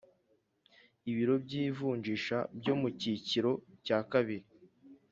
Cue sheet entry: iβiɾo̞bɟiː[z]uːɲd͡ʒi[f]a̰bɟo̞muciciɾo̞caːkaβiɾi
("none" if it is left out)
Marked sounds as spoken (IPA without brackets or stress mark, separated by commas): v, ʃ